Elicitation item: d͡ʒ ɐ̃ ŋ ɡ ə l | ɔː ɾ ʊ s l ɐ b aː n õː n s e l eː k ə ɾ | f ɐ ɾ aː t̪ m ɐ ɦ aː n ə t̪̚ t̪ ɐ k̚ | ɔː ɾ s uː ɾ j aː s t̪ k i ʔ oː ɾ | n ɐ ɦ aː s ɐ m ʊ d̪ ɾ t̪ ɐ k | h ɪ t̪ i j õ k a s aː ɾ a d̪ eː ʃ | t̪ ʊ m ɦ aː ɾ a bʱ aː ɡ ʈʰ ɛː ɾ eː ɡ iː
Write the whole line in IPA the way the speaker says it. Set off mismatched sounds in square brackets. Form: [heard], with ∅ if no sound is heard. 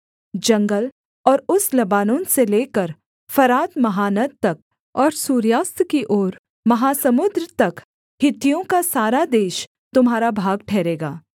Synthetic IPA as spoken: d͡ʒ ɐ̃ ŋ ɡ ə l | ɔː ɾ ʊ s l ɐ b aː n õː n s e l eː k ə ɾ | f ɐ ɾ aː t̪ m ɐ ɦ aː n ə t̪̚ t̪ ɐ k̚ | ɔː ɾ s uː ɾ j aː s t̪ k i ʔ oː ɾ | [m] ɐ ɦ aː s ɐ m ʊ d̪ ɾ t̪ ɐ k | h ɪ t̪ i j õ k a s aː ɾ a d̪ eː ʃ | t̪ ʊ m ɦ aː ɾ a bʱ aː ɡ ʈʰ ɛː ɾ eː ɡ [aː]